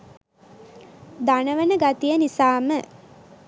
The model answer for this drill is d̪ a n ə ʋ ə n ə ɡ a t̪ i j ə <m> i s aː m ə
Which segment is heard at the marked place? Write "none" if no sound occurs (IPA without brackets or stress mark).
n